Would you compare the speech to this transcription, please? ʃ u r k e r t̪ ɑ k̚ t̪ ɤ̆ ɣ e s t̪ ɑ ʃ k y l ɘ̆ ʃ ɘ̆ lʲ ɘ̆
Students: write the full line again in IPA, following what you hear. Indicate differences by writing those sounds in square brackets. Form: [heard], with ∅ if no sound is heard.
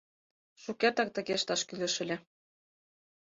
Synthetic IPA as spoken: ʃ u [∅] k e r t̪ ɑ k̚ t̪ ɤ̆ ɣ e [ʃ] t̪ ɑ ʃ k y l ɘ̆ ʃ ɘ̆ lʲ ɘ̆